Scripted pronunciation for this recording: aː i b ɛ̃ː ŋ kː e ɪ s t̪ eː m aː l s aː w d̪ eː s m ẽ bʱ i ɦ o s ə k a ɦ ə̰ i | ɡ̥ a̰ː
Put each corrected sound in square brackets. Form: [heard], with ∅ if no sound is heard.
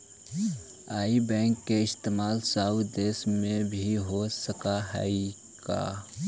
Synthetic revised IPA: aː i b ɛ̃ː ŋ kː e ɪ s t̪ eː m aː l s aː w d̪ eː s m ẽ bʱ i ɦ o s ə k a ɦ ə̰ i | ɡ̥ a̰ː